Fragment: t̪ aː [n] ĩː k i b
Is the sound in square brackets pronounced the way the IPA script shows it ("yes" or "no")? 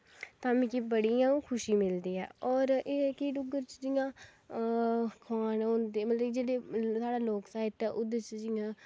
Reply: no